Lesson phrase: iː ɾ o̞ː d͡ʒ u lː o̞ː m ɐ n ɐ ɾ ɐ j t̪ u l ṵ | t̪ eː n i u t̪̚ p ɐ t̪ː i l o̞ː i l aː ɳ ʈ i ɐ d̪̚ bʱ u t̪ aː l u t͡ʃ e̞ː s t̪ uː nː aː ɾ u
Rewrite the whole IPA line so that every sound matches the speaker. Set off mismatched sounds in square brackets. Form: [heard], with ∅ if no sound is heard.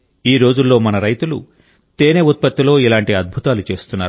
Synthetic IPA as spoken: iː ɾ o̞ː d͡ʒ u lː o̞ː m ɐ n ɐ ɾ ɐ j t̪ u l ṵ | t̪ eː n [e] u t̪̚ p ɐ t̪ː i l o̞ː i l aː ɳ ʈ i ɐ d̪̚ bʱ u t̪ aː l u t͡ʃ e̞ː s t̪ [u] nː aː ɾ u